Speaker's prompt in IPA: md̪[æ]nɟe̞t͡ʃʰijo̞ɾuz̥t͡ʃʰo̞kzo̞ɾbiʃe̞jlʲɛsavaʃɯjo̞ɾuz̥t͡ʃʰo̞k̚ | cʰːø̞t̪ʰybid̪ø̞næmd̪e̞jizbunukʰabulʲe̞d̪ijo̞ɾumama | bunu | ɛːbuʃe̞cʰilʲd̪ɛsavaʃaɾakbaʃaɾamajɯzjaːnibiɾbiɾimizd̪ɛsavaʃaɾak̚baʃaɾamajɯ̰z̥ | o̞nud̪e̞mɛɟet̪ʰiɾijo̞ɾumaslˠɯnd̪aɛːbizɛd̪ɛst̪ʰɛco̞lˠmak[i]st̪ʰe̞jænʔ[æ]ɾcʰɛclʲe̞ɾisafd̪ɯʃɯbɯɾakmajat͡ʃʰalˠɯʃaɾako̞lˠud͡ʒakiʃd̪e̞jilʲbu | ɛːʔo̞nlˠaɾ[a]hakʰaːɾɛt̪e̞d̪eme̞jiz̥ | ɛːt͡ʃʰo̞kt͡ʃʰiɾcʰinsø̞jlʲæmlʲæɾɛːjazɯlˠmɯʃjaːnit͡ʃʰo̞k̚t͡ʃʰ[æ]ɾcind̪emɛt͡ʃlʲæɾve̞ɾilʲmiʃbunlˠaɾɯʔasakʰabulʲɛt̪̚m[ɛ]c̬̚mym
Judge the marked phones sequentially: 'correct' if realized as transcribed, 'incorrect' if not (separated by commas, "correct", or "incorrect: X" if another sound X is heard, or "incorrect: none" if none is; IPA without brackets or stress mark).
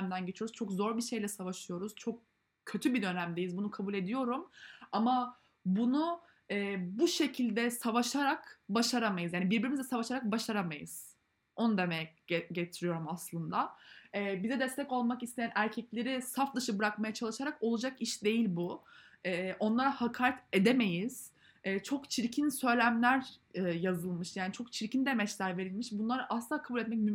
correct, correct, correct, correct, incorrect: i, correct